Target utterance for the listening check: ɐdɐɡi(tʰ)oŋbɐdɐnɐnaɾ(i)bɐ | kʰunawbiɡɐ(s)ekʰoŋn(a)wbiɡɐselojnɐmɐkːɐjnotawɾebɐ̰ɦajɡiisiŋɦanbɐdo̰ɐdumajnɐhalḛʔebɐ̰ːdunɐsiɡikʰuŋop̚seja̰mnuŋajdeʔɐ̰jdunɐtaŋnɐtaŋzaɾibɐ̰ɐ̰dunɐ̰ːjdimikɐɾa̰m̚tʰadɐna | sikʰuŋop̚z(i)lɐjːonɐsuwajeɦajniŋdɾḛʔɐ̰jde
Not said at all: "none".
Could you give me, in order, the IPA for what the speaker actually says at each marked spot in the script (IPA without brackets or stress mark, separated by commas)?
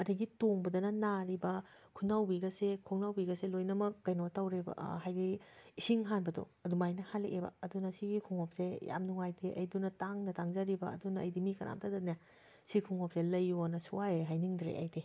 t, i, s, a, e